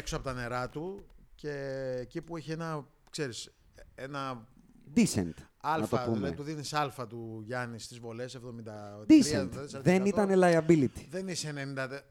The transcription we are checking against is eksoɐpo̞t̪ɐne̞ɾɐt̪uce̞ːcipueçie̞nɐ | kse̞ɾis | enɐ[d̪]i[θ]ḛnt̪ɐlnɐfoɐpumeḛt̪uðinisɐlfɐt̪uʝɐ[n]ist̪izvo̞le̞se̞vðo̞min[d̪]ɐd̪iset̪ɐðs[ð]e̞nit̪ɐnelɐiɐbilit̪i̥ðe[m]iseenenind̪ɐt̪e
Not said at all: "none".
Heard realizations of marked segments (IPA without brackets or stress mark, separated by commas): d̪, s, n, d̪, ð, n